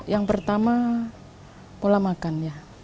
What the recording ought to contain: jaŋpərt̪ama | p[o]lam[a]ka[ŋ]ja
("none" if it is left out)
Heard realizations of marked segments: o, a, n

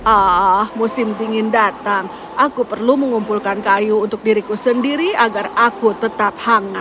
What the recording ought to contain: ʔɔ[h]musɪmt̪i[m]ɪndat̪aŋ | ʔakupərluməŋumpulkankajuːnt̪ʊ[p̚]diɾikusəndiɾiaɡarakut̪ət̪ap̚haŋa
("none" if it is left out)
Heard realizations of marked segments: h, ŋ, k̚

